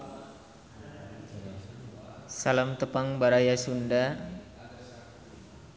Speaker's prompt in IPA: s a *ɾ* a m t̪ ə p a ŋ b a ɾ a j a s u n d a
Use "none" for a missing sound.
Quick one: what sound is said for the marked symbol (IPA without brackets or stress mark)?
l